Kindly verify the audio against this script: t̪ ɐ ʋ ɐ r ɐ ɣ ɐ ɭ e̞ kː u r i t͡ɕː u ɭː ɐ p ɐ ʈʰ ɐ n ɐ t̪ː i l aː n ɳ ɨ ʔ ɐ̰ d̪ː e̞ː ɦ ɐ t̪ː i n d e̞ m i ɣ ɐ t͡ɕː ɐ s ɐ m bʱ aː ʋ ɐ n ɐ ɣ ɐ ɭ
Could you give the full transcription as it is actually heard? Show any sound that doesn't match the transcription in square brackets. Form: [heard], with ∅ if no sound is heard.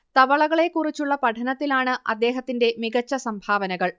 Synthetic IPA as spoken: t̪ ɐ ʋ ɐ [ɭ] ɐ ɣ ɐ ɭ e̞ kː u r i t͡ɕː u ɭː ɐ p ɐ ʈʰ ɐ n ɐ t̪ː i l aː [∅] ɳ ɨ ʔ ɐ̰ d̪ː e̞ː ɦ ɐ t̪ː i n d e̞ m i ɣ ɐ t͡ɕː ɐ s ɐ m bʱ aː ʋ ɐ n ɐ ɣ ɐ ɭ

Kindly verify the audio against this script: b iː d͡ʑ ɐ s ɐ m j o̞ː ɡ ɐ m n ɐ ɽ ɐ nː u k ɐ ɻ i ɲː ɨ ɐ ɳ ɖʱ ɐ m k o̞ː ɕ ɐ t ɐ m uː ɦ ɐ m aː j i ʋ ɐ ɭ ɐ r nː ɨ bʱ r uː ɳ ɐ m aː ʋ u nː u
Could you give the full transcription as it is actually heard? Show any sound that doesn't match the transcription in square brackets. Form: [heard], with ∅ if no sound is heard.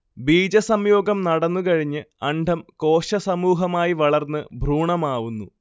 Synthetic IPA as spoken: b iː d͡ʑ ɐ s ɐ m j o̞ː ɡ ɐ m n ɐ ɽ ɐ nː u k ɐ ɻ i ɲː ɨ ɐ ɳ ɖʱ ɐ m k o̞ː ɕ ɐ [s] ɐ m uː ɦ ɐ m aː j i ʋ ɐ ɭ ɐ r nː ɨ bʱ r uː ɳ ɐ m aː ʋ u nː u

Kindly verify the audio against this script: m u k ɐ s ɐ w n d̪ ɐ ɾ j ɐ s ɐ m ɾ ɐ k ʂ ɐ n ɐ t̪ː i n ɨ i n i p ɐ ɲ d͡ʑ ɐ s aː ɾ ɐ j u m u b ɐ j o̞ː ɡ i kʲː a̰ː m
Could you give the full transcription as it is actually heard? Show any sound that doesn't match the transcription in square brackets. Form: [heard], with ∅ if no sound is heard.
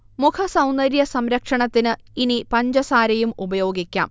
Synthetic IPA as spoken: m u [kʰ] ɐ s ɐ w n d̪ ɐ ɾ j ɐ s ɐ m ɾ ɐ k ʂ ɐ [ɳ] ɐ t̪ː i n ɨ i n i p ɐ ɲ d͡ʑ ɐ s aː ɾ ɐ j u m u b ɐ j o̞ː ɡ i kʲː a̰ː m

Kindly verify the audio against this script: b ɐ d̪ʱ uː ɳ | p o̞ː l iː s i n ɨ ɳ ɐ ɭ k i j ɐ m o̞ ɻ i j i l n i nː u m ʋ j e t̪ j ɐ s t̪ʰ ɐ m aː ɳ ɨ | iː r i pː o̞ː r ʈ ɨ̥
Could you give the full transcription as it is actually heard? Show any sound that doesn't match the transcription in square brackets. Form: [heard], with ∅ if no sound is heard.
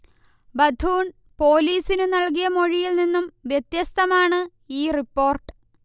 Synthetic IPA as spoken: b ɐ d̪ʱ uː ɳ | p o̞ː l iː s i n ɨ [n] ɐ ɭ k i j ɐ m o̞ ɻ i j i l n i nː u m ʋ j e t̪ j ɐ s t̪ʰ ɐ m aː ɳ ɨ | iː r i pː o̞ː r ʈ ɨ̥

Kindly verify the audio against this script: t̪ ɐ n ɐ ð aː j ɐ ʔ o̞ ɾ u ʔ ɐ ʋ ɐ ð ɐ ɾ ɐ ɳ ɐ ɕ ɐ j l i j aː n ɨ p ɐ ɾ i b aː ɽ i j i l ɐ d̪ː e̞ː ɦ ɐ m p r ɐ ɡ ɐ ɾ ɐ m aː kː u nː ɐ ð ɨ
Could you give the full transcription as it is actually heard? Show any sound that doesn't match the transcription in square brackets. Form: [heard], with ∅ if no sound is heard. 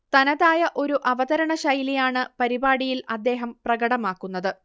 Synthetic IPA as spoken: t̪ ɐ n ɐ ð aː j ɐ ʔ o̞ ɾ u ʔ ɐ ʋ ɐ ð ɐ ɾ ɐ ɳ ɐ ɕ ɐ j l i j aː [ɳ] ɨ p ɐ ɾ i b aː ɽ i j i l ɐ d̪ː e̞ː ɦ ɐ m p r ɐ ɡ ɐ [ɽ] ɐ m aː kː u nː ɐ ð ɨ

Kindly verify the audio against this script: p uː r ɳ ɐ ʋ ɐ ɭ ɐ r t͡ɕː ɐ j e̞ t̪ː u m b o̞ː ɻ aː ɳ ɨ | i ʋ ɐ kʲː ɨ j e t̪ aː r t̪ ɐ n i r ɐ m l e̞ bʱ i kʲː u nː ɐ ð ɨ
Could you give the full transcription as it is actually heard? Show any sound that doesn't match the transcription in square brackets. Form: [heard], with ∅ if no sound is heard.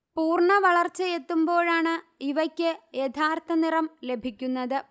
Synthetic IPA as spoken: p uː r ɳ ɐ ʋ ɐ ɭ ɐ r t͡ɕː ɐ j e̞ t̪ː u m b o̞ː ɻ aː ɳ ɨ | i ʋ ɐ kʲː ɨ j e [t̪ʰ] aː r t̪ ɐ n i r ɐ m l e̞ bʱ i kʲː u nː ɐ ð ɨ

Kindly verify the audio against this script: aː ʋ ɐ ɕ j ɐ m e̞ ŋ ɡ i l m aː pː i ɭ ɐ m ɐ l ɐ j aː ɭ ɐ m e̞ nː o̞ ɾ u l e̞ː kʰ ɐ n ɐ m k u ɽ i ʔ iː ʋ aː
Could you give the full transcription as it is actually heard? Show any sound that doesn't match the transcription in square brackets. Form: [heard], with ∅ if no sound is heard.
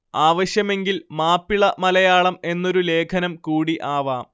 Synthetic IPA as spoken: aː ʋ ɐ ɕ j ɐ m e̞ ŋ ɡ i l m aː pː i ɭ ɐ m ɐ l ɐ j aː ɭ ɐ m e̞ nː o̞ ɾ u l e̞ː kʰ ɐ n ɐ m k [uː] ɽ i ʔ [aː] ʋ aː

